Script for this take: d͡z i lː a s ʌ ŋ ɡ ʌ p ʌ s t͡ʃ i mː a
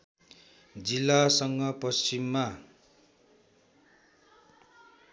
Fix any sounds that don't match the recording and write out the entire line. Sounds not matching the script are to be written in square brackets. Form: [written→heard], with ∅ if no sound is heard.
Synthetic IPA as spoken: d͡z i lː a s ʌ ŋ ɡ ʌ p ʌ s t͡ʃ i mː a